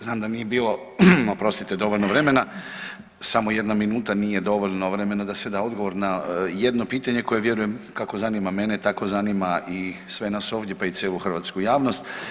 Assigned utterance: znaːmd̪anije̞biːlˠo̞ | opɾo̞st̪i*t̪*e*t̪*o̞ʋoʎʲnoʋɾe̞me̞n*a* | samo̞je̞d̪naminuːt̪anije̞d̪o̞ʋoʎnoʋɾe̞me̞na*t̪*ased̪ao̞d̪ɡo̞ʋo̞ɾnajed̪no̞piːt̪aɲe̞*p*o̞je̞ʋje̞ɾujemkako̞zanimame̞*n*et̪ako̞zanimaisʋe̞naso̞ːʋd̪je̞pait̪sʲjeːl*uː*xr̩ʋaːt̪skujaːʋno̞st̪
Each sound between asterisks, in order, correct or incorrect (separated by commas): correct, incorrect, correct, incorrect, incorrect, correct, incorrect